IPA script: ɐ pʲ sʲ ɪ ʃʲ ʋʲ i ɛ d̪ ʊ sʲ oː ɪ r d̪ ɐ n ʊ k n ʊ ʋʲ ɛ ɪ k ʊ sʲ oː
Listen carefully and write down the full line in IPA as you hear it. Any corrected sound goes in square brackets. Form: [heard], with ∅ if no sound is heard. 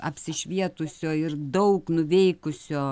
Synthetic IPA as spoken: ɐ pʲ sʲ ɪ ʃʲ ʋʲ i ɛ [t̪] ʊ sʲ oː ɪ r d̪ ɐ [∅] ʊ k n ʊ ʋʲ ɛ ɪ k ʊ sʲ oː